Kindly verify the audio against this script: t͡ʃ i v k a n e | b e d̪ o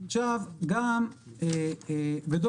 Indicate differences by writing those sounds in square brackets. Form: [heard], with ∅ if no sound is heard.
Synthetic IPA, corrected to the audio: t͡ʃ [a] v [ɡ] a [m] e | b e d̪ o